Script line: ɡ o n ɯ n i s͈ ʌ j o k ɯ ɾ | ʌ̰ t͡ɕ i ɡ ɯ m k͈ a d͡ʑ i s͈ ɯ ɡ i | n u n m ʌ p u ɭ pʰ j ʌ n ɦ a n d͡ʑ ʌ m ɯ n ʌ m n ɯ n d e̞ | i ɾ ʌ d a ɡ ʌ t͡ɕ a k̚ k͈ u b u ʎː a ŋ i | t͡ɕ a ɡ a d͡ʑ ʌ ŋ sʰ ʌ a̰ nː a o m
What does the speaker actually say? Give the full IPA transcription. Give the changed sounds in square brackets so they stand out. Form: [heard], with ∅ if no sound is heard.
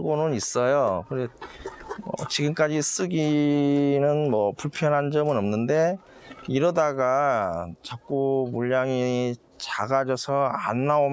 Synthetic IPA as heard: ɡ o n ɯ n i s͈ ʌ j o k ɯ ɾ | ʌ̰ t͡ɕ i ɡ ɯ m k͈ a d͡ʑ i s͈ ɯ ɡ i | n [ɯ] n m ʌ p u ɭ pʰ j ʌ n ɦ a n d͡ʑ ʌ m ɯ n ʌ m n ɯ n d e̞ | i ɾ ʌ d a ɡ [a] t͡ɕ a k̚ k͈ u [m] u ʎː a ŋ i | t͡ɕ a ɡ a d͡ʑ ʌ [∅] sʰ ʌ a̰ nː a o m